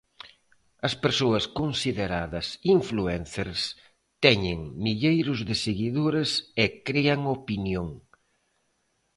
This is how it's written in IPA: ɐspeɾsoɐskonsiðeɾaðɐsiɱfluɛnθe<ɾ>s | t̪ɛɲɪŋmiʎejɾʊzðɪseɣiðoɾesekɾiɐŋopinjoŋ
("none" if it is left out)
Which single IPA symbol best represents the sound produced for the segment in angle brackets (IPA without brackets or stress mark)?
ɾ